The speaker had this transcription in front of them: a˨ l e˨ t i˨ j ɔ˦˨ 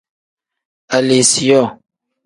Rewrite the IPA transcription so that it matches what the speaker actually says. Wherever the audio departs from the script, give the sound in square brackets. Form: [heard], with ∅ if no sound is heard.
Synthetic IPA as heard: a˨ l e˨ [s] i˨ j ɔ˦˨